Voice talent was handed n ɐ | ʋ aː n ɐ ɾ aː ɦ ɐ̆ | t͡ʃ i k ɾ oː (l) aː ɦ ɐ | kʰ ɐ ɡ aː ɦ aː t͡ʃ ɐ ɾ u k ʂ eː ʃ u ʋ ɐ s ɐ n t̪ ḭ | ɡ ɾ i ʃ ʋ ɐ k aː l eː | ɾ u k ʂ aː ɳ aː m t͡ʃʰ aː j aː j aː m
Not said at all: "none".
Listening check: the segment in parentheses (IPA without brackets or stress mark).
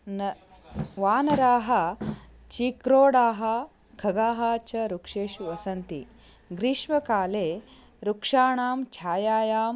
ɽ